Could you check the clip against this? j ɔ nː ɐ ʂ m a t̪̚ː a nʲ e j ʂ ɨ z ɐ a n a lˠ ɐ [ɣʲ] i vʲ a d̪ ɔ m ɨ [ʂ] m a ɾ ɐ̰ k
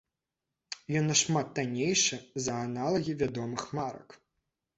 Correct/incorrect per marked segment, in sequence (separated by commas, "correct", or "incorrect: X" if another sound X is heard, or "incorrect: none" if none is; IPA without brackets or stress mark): correct, incorrect: x